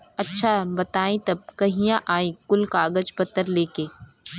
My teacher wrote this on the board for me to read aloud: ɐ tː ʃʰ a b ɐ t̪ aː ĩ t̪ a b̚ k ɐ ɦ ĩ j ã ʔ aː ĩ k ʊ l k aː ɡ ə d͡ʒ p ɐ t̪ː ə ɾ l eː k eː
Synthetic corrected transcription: ɐ tː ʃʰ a b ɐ t̪ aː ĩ t̪ ɐ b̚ k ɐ ɦ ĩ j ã ʔ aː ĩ k ʊ l k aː ɡ ə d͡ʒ p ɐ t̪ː ə ɾ l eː k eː